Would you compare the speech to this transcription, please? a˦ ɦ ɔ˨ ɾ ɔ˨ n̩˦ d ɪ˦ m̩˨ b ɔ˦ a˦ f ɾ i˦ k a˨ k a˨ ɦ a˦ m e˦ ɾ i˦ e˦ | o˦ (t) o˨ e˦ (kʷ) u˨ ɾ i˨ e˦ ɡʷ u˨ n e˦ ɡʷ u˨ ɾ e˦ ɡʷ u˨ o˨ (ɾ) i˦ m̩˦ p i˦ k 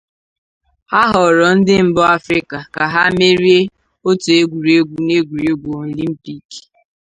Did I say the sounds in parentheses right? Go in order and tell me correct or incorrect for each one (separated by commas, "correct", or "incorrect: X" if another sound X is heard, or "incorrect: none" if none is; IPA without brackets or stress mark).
correct, incorrect: ɡʷ, incorrect: l